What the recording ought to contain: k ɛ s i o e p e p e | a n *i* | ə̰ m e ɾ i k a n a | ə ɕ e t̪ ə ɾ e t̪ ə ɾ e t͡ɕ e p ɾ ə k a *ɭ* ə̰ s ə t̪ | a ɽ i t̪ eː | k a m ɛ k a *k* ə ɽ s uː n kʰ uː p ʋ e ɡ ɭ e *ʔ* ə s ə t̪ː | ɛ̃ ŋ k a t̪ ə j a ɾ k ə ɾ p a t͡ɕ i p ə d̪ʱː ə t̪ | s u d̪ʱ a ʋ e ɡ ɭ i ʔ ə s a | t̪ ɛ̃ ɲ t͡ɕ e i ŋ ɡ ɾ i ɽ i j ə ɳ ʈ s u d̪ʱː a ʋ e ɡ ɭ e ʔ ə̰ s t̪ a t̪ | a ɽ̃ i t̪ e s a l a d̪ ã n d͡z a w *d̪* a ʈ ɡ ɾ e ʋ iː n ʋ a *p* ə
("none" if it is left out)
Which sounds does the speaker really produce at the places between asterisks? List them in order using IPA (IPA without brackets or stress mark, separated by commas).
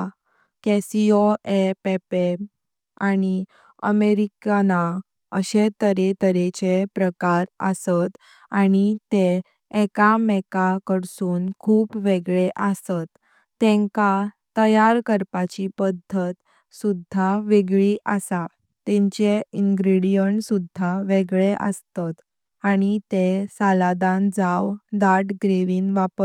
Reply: i, ɾ, k, ʔ, d̪, p